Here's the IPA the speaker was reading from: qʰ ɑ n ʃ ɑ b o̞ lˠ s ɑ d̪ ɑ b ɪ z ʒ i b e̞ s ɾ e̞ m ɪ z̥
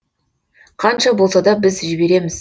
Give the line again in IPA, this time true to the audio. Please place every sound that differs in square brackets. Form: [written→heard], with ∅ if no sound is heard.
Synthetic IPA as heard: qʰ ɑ n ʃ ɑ b o̞ lˠ s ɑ d̪ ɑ b ɪ z ʒ [i→ɪ] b e̞ [s→∅] ɾ e̞ m ɪ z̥